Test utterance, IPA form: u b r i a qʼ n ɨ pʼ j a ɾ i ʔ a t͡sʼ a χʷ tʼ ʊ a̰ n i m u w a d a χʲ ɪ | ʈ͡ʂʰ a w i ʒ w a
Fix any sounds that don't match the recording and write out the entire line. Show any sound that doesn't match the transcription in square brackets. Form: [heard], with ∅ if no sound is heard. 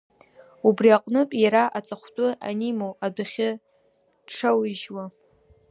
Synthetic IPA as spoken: u b r i a qʼ n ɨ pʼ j a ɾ [a] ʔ a t͡sʼ a χʷ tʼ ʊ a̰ n i m [o] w a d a χʲ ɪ | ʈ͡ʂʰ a w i ʒ w a